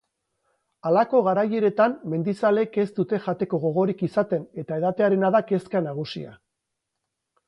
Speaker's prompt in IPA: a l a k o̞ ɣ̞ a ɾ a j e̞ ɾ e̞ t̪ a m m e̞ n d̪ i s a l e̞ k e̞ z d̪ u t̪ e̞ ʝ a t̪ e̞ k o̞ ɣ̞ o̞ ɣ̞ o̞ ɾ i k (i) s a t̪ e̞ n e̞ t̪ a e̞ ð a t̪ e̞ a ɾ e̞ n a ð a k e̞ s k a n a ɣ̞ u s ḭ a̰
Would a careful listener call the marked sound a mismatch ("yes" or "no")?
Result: no